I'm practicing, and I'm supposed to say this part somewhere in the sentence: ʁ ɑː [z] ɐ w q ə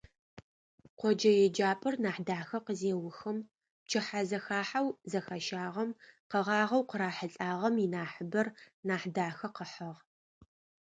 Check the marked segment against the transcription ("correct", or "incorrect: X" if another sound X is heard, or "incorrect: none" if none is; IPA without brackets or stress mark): incorrect: ʁ